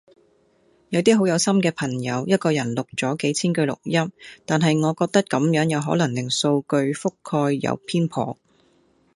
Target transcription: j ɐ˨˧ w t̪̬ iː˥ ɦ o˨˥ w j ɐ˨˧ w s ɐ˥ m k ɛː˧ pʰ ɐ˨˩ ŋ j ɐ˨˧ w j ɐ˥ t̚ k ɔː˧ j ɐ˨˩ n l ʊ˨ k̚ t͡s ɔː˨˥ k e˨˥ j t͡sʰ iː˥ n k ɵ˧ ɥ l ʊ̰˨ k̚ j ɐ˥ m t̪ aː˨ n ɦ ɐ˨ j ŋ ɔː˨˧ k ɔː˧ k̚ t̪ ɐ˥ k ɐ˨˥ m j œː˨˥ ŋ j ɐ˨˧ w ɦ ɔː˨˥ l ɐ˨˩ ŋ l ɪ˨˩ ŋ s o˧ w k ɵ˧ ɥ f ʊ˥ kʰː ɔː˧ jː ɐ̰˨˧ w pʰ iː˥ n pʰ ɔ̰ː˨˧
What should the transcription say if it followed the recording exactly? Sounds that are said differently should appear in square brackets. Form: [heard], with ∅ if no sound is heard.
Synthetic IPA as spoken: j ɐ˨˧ w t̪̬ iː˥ ɦ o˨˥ w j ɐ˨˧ w s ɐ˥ m k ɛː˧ pʰ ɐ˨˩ ŋ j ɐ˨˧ w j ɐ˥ t̚ k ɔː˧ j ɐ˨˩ n l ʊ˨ k̚ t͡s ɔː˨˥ k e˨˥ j t͡sʰ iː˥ n k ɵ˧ ɥ l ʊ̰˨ k̚ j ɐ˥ m t̪ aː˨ n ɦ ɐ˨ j ŋ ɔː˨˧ k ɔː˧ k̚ t̪ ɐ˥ k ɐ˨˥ m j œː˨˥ ŋ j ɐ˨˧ w ɦ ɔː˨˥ l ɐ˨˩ ŋ l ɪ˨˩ ŋ s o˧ w k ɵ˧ ɥ f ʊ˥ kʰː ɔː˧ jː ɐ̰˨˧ w pʰ iː˥ n pʰ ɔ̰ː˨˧